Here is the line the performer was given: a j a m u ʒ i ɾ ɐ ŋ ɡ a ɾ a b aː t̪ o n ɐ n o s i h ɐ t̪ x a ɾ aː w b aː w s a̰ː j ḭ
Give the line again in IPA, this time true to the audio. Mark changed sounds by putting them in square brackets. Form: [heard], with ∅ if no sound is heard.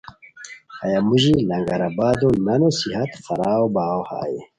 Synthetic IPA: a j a m u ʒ i [l] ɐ ŋ ɡ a ɾ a b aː [d̪] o n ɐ n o s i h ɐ t̪ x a ɾ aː w b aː w [h] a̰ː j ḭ